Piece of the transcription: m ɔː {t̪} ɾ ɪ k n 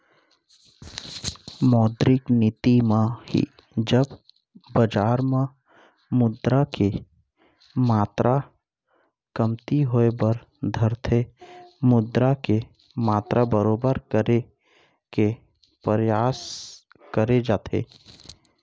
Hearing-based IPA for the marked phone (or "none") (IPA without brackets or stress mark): d̪